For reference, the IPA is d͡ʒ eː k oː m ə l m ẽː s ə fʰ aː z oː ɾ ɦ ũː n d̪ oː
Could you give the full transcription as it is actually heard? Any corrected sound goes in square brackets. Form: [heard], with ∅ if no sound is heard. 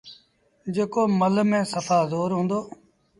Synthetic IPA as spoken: d͡ʒ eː k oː m ə l m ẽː s ə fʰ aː z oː ɾ ɦ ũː n d̪ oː